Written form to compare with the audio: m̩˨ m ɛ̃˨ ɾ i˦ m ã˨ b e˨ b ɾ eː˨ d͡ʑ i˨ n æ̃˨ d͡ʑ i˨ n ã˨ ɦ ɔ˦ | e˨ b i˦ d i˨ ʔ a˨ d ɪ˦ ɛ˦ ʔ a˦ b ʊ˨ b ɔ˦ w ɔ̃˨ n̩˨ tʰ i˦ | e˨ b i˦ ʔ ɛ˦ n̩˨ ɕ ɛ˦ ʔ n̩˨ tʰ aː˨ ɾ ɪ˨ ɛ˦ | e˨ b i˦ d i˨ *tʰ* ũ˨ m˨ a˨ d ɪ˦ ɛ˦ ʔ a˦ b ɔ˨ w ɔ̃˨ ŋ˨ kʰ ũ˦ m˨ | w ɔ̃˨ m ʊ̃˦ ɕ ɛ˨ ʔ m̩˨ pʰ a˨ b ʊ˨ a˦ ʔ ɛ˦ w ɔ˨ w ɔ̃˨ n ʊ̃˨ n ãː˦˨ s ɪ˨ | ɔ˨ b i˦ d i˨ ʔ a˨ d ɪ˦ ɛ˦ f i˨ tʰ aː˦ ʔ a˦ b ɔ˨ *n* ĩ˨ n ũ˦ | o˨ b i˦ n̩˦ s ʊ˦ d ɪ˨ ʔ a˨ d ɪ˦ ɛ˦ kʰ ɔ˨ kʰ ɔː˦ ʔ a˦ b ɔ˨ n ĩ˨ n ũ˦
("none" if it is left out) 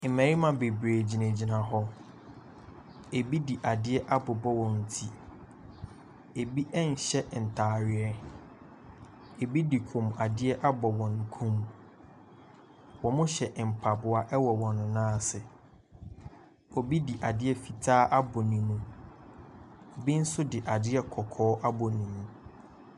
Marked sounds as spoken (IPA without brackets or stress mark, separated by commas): kʰ, n